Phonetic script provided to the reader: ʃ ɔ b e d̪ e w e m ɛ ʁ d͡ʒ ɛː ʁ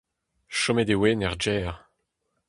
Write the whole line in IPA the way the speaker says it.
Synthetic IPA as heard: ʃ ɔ m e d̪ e w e n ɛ ʁ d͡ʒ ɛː ʁ